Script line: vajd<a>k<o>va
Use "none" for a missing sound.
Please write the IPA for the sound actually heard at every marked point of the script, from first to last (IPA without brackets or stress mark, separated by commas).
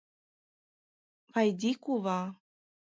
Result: i, u